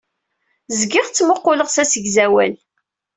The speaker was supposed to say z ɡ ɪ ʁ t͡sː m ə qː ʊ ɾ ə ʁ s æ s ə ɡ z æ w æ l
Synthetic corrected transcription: z ɡ ɪ ʁ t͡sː m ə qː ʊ l ə ʁ s æ s ə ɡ z æ w æ l

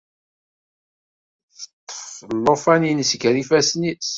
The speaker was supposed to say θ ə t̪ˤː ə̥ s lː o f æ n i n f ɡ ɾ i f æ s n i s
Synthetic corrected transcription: θ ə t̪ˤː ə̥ f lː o f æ n i n s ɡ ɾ i f æ s n i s

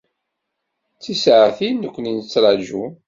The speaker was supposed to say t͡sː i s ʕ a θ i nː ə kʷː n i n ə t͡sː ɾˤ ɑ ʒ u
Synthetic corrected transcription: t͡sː i s ʕ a θ i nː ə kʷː n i n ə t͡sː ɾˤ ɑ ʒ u

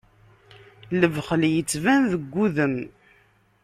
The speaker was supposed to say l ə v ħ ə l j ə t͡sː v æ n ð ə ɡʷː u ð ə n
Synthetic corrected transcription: l ə v χ ə l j ə t͡sː v æ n ð ə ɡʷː u ð ə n

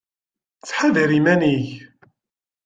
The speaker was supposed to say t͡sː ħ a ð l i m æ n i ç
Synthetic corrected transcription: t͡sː ħ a ð ɾ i m æ n i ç

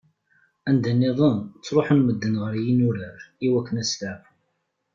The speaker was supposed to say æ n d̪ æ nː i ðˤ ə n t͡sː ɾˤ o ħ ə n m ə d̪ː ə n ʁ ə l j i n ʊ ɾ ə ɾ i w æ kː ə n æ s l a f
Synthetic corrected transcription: æ n d̪ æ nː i ðˤ ə n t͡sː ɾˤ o ħ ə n m ə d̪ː ə n ʁ ə ɾ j i n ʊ ɾ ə ɾ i w æ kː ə n æ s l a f

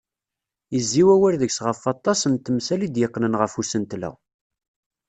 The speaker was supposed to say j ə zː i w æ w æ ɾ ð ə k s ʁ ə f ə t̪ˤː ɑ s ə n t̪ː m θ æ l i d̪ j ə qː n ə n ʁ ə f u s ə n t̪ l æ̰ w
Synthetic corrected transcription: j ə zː i w æ w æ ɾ ð ə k s ʁ ə f ɑ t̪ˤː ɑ s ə n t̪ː m s æ l i d̪ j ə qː n ə n ʁ ə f u s ə n t̪ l æ̰ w

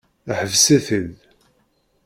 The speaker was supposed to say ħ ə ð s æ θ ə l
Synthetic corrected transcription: ħ ə v s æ θ ə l

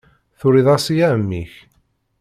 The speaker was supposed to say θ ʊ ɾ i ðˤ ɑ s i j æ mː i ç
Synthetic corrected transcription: θ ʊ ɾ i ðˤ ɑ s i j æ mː i ç

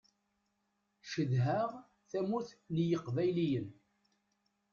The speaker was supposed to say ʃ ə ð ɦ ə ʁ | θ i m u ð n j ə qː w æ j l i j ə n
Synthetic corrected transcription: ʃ ə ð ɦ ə ʁ | θ æ m u θ n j ə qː v æ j l i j ə n

